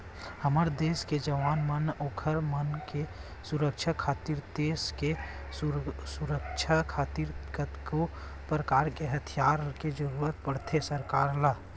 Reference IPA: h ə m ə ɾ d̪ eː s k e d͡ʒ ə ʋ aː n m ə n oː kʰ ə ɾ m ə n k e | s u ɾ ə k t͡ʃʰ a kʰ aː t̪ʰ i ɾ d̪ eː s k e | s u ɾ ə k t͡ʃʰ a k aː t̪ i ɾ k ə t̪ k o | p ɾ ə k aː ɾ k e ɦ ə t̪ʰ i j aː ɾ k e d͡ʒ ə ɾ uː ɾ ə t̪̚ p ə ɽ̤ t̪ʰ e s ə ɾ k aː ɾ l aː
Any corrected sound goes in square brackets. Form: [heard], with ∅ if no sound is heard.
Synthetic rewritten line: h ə m ə ɾ d̪ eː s k e d͡ʒ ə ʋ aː n m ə n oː kʰ ə ɾ m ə n k e | s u ɾ ə k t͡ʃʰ a kʰ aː [t̪] i ɾ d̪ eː s k e | s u ɾ ə k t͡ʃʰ a [kʰ] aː t̪ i ɾ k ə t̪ k o | p ɾ ə k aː ɾ k e ɦ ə t̪ʰ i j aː ɾ k e d͡ʒ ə ɾ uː ɾ ə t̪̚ p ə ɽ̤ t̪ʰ e s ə ɾ k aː ɾ l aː

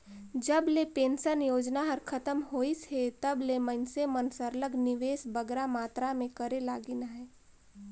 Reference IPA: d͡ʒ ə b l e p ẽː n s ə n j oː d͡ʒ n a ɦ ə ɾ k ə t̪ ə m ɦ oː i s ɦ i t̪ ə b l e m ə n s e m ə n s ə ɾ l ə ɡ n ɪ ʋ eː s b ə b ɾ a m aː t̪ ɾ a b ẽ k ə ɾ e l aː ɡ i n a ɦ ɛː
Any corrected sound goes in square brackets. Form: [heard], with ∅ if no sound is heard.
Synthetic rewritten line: d͡ʒ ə b l e p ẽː n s ə n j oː d͡ʒ n a ɦ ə ɾ [kʰ] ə t̪ ə m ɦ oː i s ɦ [e] t̪ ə b l e m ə n s e m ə n s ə ɾ l ə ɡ n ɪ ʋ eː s b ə [ɡ] ɾ a m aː t̪ ɾ a [m] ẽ k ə ɾ e l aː ɡ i n a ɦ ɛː

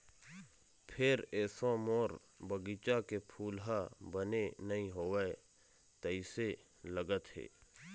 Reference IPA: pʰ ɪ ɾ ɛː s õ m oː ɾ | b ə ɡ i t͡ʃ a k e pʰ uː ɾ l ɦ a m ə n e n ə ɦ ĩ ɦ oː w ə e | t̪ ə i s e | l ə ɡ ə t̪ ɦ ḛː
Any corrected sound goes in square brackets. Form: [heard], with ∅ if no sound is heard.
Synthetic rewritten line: pʰ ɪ ɾ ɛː s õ m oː ɾ | b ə ɡ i t͡ʃ a k e pʰ uː [∅] l ɦ a [b] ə n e n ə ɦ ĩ ɦ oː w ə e | t̪ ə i s e | l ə ɡ ə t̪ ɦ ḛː

